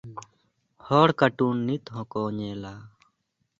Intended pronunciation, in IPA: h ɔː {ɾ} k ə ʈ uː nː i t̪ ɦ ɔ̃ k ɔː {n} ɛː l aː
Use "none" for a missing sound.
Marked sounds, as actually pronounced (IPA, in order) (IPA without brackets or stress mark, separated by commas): ɽ, ɲ